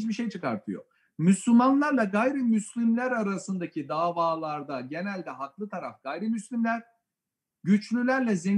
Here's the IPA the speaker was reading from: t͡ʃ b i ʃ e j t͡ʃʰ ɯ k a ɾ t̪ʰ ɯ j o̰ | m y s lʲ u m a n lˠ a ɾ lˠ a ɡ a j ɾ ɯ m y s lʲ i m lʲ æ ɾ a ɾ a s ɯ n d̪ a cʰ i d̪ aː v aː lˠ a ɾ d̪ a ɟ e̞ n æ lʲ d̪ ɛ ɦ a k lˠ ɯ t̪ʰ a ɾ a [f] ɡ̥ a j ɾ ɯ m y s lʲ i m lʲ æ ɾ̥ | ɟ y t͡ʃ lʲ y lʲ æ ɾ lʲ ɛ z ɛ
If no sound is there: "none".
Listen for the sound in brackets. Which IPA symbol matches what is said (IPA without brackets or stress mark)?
f